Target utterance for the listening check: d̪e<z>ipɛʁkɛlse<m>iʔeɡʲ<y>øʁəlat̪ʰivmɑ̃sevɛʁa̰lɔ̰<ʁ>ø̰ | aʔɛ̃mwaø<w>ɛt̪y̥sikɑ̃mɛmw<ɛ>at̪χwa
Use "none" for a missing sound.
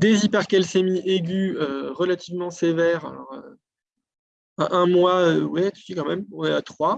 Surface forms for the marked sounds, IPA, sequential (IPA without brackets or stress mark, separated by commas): z, m, y, ʁ, w, ɛ